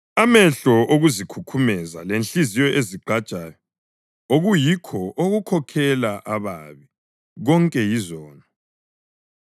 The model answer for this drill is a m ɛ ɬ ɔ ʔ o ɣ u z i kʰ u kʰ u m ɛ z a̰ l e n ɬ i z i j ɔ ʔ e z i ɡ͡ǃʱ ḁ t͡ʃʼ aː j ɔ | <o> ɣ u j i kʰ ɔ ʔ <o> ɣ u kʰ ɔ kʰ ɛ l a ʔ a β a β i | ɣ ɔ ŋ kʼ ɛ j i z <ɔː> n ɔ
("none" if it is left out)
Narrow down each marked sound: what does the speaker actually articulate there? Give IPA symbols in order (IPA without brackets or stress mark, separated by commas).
o, o, ɔː